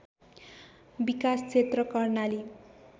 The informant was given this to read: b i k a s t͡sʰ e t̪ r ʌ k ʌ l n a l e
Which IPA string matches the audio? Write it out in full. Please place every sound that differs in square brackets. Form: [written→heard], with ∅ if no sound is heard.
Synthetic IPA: b i k a s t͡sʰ e t̪ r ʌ k ʌ [l→r] n a l [e→i]